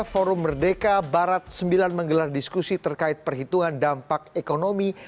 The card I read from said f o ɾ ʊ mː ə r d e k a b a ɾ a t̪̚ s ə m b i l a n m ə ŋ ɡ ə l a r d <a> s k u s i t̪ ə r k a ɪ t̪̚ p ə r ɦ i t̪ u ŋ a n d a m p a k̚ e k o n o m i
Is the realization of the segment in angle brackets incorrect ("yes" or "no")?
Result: yes